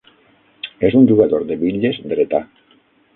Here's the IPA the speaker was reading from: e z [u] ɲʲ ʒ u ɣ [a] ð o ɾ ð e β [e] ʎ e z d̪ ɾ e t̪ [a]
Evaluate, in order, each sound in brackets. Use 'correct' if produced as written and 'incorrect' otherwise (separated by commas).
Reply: correct, correct, incorrect, correct